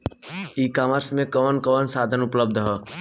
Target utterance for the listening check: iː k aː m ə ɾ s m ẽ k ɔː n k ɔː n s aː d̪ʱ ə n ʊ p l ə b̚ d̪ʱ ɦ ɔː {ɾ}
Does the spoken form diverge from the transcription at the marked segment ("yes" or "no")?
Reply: yes